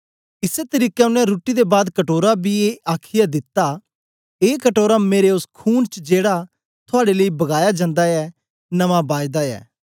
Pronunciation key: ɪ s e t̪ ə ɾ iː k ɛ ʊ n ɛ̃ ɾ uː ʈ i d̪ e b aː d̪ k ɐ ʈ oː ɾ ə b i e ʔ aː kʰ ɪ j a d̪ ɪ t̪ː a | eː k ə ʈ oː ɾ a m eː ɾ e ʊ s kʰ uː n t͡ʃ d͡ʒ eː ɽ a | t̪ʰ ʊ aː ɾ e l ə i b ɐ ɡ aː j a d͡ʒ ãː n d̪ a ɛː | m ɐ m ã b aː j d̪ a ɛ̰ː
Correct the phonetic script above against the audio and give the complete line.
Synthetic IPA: ɪ s e t̪ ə ɾ iː k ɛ ʊ n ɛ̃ ɾ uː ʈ i d̪ e b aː d̪ k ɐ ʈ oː ɾ a b i e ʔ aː kʰ ɪ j a d̪ ɪ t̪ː a | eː k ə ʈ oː ɾ a m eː ɾ e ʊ s kʰ uː n t͡ʃ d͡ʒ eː ɽ a | t̪ʰ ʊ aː ɽ e l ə i b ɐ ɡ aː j a d͡ʒ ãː n d̪ a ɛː | n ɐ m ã b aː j d̪ a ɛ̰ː